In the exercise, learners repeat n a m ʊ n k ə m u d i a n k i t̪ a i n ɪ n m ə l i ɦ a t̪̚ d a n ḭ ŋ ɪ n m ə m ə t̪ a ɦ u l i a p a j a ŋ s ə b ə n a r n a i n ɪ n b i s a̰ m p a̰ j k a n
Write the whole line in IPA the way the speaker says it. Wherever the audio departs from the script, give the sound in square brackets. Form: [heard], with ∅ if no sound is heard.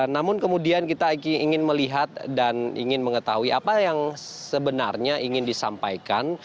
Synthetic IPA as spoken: n a m ʊ n k ə m u d i a n k i t̪ a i [ŋ] ɪ n m ə l i ɦ a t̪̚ d a n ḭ ŋ ɪ n m ə [ŋ] ə t̪ a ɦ u [∅] i a p a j a ŋ s ə b ə n a r [ɲ] a i [ŋ] ɪ n [d] i s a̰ m p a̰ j k a n